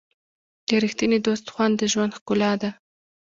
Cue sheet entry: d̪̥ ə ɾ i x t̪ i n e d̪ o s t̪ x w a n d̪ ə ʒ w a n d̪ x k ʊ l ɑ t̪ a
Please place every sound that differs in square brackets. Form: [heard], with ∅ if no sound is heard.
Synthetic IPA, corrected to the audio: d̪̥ ə ɾ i x t̪ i n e d̪ o s t̪ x w a n d̪ ə ʒ w a n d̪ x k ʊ l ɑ [d̪] a